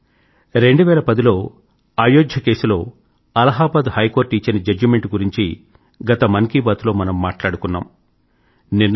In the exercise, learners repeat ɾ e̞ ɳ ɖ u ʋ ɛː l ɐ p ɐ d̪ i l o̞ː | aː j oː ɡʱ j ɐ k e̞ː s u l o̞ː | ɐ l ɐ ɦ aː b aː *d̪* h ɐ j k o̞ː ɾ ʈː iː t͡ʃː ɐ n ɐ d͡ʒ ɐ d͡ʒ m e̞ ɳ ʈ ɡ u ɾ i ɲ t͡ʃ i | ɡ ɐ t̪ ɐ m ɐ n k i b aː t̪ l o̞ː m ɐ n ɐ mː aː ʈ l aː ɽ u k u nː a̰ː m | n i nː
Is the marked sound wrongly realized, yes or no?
no